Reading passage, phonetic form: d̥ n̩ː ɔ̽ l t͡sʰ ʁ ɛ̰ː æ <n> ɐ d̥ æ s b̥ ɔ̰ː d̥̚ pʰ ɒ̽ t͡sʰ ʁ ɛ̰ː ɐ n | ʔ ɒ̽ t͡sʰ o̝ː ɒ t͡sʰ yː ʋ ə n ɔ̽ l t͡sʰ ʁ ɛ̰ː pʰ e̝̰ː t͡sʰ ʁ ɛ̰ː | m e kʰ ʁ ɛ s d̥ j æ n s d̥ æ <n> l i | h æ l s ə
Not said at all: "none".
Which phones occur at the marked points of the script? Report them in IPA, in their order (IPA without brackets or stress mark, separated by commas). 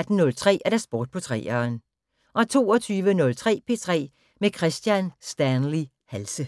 none, n